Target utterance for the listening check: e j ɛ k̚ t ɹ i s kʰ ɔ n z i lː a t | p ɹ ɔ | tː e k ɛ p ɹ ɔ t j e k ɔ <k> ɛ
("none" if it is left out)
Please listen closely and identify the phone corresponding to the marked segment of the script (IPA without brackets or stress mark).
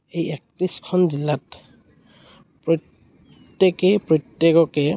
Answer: k